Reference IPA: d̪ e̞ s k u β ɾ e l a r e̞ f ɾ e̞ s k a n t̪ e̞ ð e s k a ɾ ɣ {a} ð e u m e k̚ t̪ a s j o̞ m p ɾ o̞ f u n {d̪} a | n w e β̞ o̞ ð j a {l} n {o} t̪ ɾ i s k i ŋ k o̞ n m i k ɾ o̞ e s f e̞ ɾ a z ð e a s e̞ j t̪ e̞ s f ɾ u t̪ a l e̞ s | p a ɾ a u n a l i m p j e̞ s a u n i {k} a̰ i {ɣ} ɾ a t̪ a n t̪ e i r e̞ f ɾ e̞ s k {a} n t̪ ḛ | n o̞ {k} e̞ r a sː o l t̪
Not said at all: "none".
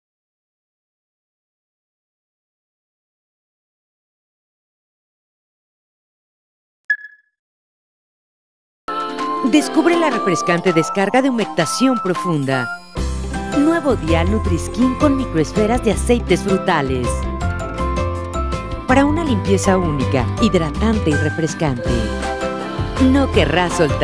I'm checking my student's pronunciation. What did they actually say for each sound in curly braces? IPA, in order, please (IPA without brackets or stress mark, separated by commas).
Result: a, d̪, l, u, k, ð, a, k